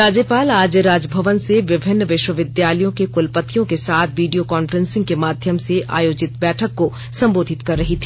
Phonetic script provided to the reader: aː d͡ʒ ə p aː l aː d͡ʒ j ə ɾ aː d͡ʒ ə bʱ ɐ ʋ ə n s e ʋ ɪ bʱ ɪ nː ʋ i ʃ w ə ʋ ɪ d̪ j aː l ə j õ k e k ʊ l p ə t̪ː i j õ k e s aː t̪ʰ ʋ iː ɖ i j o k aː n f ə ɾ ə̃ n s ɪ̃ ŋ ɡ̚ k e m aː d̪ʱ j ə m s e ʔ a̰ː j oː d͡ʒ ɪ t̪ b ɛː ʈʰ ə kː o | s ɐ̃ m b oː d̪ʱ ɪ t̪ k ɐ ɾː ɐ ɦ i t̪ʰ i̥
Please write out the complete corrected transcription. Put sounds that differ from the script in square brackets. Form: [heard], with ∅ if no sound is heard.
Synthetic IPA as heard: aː d͡ʒ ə p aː l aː d͡ʒ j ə ɾ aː d͡ʒ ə bʱ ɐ ʋ ə n s e ʋ ɪ bʱ ɪ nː ʋ [ɪ] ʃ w ə ʋ ɪ d̪ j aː l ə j õ k e k ʊ l p ə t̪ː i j õ k e s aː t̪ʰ ʋ iː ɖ i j o k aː n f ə ɾ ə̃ n s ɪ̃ ŋ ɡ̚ k e m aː d̪ʱ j ə m s e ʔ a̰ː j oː d͡ʒ ɪ t̪ b ɛː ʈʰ ə kː o | s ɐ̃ m b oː d̪ʱ ɪ t̪ k ɐ ɾː ɐ ɦ i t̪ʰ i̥